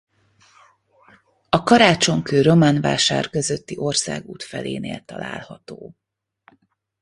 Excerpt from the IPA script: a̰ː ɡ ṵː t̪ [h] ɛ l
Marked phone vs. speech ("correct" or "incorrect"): incorrect